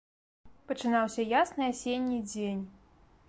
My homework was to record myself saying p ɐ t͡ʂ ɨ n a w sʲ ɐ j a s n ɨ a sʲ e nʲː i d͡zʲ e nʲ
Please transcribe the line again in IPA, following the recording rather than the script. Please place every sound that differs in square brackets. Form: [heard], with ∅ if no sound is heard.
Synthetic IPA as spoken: p ɐ t͡ʂ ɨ n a w sʲ ɐ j a s n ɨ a sʲ e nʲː i d͡zʲ e nʲ